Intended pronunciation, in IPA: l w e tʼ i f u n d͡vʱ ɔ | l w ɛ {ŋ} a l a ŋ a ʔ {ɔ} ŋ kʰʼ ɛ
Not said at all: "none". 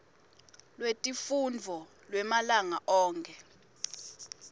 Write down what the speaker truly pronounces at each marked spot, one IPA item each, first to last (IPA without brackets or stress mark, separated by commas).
m, ɔː